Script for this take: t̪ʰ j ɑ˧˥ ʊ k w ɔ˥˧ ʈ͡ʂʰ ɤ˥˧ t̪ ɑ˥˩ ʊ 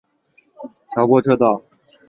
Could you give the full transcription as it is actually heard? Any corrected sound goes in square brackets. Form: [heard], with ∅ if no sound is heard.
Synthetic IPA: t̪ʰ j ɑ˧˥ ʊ k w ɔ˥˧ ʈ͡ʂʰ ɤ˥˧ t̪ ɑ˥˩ ʊ